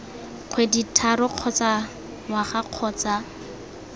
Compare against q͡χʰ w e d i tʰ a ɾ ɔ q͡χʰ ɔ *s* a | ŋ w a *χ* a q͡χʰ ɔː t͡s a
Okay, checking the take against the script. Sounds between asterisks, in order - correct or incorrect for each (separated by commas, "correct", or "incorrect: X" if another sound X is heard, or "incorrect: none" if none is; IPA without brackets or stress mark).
incorrect: t͡s, correct